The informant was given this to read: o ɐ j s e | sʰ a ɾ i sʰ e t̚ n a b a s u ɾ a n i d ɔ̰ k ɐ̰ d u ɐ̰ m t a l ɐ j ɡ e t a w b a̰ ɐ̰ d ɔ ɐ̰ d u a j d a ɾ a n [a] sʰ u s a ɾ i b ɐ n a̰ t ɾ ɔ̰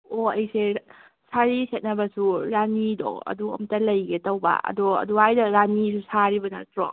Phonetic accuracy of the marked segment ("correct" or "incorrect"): incorrect